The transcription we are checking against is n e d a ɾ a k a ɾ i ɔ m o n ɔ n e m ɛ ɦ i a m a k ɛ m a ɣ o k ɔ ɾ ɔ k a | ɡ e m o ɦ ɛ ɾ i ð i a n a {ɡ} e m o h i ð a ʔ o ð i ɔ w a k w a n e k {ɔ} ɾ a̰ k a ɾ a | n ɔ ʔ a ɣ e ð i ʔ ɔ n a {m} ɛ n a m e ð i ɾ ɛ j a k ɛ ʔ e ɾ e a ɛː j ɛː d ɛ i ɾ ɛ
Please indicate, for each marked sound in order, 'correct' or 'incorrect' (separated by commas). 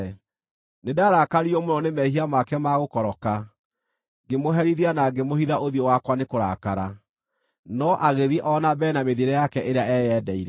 correct, incorrect, incorrect